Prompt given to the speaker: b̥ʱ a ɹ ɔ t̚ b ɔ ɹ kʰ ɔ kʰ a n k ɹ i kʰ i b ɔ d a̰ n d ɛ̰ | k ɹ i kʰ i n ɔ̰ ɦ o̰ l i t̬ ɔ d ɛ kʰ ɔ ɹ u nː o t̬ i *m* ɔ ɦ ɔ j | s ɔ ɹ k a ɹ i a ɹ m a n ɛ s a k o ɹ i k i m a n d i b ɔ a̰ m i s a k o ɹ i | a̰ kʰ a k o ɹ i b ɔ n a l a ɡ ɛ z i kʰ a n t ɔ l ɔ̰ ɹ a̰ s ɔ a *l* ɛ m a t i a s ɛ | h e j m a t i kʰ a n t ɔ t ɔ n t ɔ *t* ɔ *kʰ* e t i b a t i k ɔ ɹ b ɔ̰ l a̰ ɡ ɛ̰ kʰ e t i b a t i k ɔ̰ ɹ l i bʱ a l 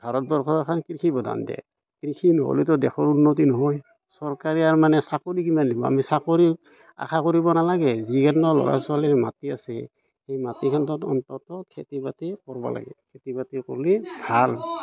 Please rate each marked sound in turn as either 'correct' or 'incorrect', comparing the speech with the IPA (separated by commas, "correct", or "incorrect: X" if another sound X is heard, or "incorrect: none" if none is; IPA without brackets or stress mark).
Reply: incorrect: n, correct, correct, correct